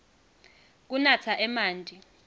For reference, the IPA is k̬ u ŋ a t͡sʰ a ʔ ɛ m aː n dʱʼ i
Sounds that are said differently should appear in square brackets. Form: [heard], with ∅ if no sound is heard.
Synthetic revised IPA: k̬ u [n] a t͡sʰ a ʔ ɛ m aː n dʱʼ i